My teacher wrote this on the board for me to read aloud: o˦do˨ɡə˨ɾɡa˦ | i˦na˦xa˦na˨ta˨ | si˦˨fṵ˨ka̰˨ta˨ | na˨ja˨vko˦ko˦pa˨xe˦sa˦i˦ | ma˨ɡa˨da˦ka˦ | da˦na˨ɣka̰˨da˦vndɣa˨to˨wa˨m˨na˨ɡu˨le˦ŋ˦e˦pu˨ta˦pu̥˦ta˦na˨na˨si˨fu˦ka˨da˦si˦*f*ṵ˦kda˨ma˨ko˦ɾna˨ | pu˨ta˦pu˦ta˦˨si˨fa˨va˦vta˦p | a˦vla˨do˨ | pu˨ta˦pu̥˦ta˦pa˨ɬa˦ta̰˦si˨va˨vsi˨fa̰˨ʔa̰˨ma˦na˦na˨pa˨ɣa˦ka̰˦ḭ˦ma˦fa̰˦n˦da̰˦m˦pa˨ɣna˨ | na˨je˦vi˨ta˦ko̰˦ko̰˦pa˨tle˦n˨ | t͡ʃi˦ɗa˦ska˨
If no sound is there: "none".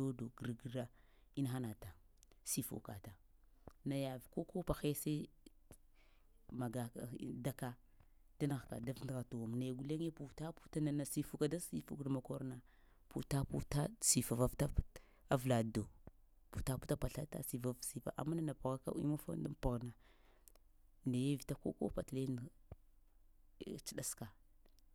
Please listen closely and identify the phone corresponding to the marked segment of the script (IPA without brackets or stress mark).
f